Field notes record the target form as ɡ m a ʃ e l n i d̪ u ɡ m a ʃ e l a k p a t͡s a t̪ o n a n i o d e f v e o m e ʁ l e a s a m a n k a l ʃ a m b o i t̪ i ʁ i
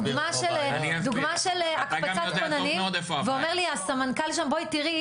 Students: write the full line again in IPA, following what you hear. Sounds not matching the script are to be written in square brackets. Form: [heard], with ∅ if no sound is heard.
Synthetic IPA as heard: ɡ m a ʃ e l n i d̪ u ɡ m a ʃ e l a k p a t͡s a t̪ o n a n i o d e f v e o m e ʁ l [i] a s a m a n k a l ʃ a m b o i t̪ i ʁ i

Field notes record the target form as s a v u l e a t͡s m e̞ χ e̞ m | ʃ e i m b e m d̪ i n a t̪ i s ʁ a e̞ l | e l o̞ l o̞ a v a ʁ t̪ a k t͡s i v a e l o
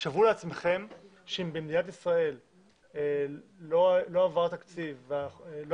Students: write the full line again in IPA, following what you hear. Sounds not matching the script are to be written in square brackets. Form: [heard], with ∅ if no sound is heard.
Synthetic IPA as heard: [ʃ] a v u l e a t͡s m e̞ χ e̞ m | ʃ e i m b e m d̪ i n a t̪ i s ʁ a e̞ l | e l o̞ l o̞ a v a ʁ t̪ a k t͡s i v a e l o

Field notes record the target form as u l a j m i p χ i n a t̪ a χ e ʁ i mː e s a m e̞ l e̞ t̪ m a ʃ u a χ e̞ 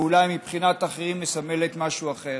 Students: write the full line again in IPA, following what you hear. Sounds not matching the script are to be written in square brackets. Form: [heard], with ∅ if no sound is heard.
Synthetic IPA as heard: u l a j m i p χ i n a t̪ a χ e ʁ i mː e s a m e̞ l e̞ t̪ m a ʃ u a χ e̞

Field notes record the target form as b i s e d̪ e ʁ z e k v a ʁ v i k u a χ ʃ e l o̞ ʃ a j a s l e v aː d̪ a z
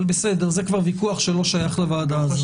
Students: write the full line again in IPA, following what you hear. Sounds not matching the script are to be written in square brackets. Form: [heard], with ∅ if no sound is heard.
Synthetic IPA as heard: b [e] s e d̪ e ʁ z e k v a ʁ v i k u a χ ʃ e l o̞ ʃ a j a [χ] l e v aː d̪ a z

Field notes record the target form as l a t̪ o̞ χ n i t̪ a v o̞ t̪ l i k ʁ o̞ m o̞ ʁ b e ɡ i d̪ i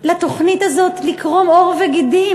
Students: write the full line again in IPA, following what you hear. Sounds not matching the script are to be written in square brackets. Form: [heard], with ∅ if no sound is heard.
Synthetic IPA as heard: l a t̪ o̞ χ n i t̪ a [z] o̞ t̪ l i k ʁ o̞ m o̞ ʁ [v] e ɡ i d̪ i

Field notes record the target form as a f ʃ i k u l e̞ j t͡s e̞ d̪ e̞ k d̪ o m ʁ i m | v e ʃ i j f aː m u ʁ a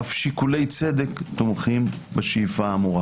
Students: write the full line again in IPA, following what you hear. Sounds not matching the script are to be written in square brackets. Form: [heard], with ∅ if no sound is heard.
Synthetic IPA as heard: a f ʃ i k u l e̞ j t͡s e̞ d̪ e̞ k [t̪] o m [χ] i m | [b] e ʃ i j f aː m u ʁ a

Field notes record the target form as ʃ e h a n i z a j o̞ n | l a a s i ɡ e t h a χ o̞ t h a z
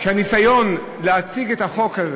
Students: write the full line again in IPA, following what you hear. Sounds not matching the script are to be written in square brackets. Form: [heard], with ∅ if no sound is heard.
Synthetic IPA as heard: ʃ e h a n i [s] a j o̞ n | l [e] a [t͡s] i ɡ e t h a χ o̞ [k] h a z

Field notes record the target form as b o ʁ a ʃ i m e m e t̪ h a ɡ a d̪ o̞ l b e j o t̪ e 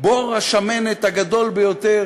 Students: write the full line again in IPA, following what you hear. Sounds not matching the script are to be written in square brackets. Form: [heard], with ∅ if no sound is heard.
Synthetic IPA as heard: b o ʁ a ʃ [a] m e [n] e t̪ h a ɡ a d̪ o̞ l b e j o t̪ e

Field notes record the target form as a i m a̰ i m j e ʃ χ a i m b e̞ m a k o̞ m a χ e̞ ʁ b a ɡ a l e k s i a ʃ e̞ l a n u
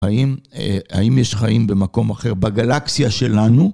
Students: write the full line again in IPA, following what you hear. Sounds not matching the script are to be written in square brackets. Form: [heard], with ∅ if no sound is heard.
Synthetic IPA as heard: a i m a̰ i m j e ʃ χ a i m b e̞ m a k o̞ m a χ e̞ ʁ b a ɡ a l [a] k s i a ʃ e̞ l a n u

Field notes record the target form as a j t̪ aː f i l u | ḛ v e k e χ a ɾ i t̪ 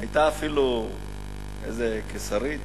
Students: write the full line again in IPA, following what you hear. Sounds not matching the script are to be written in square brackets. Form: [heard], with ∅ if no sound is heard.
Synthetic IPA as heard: a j t̪ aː f i l u | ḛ [z] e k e [s] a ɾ i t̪

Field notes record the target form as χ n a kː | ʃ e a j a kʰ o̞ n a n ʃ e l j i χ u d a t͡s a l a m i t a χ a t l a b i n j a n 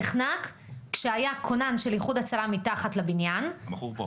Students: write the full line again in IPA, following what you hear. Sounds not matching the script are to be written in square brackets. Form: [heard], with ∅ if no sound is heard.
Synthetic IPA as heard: χ n a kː | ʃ e a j a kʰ o̞ n a n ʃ e l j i χ u d a t͡s a l a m i t a χ a t l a b i n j a n

